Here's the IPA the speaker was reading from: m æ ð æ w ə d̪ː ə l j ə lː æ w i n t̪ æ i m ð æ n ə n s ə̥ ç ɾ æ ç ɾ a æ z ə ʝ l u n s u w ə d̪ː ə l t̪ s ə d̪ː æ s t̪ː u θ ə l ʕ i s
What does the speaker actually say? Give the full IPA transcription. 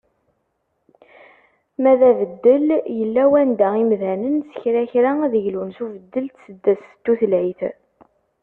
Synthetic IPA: m æ ð æ v ə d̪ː ə l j ə lː æ w æ n d̪ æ i m ð æ n ə n s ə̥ ç ɾ æ ç ɾ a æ ð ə ʝ l u n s u v ə d̪ː ə l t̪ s ə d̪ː æ s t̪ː u θ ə l ʕ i θ